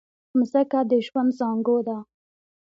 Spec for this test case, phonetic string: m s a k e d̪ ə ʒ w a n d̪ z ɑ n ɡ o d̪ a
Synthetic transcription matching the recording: m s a k a d̪ ə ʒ w a n d̪ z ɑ ŋ ɡ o d̪ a